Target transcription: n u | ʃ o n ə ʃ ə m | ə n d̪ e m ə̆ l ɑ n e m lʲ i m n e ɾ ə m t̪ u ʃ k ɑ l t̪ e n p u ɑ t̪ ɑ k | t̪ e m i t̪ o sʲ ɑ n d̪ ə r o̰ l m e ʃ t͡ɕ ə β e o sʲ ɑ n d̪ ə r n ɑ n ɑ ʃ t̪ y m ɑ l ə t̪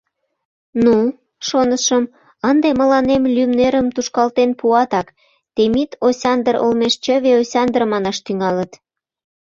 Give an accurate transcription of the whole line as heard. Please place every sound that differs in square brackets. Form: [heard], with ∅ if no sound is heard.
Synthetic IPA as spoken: n u | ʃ o n ə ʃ ə m | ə n d̪ e m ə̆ l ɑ n e m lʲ [y] m n e ɾ ə m t̪ u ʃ k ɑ l t̪ e n p u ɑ t̪ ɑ k | t̪ e m i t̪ o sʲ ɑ n d̪ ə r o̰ l m e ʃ t͡ɕ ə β e o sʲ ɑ n d̪ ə r [m] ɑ n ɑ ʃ t̪ y [ŋ] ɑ l ə t̪